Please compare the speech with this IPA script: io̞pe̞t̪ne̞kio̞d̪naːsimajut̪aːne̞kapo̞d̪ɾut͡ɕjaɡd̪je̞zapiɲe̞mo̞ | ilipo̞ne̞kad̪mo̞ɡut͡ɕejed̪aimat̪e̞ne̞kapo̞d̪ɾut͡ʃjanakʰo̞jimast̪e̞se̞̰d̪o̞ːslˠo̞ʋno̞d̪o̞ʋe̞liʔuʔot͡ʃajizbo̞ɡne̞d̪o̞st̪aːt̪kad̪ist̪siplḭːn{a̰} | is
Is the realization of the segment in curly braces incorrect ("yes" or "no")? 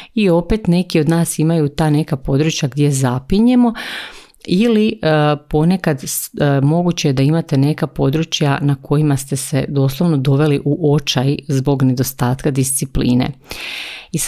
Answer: yes